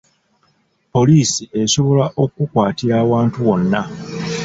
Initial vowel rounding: rounded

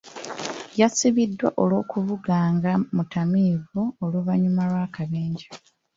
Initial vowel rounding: unrounded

